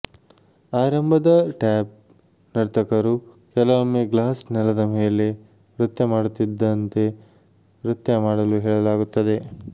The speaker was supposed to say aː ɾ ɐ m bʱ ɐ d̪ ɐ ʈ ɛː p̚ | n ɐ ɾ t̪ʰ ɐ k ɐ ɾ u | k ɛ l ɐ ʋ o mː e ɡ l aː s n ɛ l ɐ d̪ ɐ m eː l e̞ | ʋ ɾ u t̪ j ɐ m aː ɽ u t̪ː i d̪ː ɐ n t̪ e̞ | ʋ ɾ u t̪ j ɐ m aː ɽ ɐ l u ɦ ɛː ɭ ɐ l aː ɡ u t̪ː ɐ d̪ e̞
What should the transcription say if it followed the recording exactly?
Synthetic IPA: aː ɾ ɐ m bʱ ɐ d̪ ɐ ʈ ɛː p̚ | n ɐ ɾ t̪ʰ ɐ k ɐ ɾ u | k ɛ l ɐ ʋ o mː e ɡ l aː s n ɛ l ɐ d̪ ɐ m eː l e̞ | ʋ ɾ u t̪ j ɐ m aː ɽ u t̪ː i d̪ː ɐ n t̪ e̞ | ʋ ɾ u t̪ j ɐ m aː ɽ ɐ l u ɦ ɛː ɭ ɐ l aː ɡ u t̪ː ɐ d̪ e̞

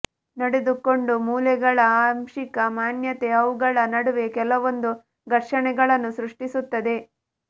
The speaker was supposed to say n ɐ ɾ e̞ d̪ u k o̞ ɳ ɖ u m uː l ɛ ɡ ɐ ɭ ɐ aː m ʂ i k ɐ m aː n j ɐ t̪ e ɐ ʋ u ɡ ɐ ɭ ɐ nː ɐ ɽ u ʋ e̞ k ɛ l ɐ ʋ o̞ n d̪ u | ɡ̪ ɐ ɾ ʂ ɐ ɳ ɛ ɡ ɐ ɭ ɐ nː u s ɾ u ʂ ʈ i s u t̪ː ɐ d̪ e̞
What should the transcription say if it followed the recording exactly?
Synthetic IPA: n ɐ ɽ e̞ d̪ u k o̞ ɳ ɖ u m uː l ɛ ɡ ɐ ɭ ɐ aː m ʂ i k ɐ m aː n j ɐ t̪ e ɐ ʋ u ɡ ɐ ɭ ɐ n ɐ ɽ u ʋ e̞ k ɛ l ɐ ʋ o̞ n d̪ u | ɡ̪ ɐ ɾ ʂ ɐ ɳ ɛ ɡ ɐ ɭ ɐ nː u s ɾ u ʂ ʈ i s u t̪ː ɐ d̪ e̞

